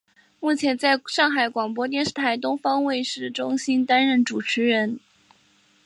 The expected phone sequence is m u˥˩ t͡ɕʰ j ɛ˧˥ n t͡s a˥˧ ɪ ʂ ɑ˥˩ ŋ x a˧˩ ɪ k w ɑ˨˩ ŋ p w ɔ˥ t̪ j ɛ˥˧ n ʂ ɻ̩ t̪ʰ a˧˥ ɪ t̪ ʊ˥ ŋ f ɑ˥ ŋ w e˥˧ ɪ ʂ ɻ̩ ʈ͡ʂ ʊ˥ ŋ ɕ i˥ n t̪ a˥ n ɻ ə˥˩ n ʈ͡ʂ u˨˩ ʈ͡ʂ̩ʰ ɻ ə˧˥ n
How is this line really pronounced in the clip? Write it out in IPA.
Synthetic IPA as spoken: m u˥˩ t͡ɕʰ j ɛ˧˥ n t͡s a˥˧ ɪ ʂ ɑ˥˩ ŋ x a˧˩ ɪ k w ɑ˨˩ ŋ p w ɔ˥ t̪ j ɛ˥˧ n ʂ ɻ̩ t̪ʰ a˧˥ ɪ t̪ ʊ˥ ŋ f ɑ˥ ŋ w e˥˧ ɪ ʂ ɻ̩ ʈ͡ʂ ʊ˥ ŋ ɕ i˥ n t̪ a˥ n ɻ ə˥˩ n ʈ͡ʂ u˨˩ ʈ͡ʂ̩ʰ ɻ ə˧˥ n